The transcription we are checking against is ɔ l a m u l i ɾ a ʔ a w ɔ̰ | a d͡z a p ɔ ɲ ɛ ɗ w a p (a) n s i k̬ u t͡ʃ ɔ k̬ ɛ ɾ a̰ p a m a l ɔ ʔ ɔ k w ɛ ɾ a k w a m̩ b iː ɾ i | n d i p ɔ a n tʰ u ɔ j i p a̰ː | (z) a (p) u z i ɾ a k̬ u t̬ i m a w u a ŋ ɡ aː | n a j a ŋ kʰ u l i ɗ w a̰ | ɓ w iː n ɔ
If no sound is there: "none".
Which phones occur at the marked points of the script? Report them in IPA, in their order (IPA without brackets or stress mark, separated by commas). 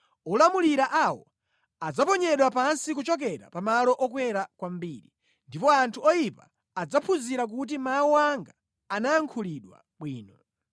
a, d͡z, pʰ